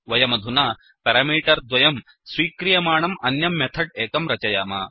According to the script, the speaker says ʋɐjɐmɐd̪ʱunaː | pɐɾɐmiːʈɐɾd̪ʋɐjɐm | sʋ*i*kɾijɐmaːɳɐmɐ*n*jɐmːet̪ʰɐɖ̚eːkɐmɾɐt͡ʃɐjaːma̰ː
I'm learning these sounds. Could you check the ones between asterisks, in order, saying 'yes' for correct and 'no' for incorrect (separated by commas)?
no, yes